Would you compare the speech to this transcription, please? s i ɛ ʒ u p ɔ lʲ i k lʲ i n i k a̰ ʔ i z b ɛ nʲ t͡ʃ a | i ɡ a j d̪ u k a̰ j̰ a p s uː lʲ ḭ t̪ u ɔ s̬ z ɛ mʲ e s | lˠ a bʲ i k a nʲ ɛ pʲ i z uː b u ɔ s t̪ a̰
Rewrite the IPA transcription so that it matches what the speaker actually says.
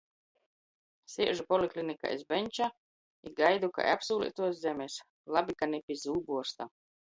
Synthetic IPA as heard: s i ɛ ʒ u p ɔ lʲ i k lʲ i n i k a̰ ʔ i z b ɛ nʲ t͡ʃ a | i ɡ a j d̪ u k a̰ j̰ a p s uː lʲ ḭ t̪ u ɔ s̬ z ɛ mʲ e s | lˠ a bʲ i k a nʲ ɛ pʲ i z uː b u ɔ s t̪ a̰